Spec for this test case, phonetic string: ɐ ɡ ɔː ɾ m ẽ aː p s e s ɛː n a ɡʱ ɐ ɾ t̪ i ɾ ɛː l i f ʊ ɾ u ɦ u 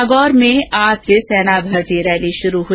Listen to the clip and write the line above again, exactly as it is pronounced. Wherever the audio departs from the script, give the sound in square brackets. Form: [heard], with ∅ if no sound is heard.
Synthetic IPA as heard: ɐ ɡ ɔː ɾ m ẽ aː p s e s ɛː n a [bʱ] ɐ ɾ t̪ i ɾ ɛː l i [ʃ] ʊ ɾ u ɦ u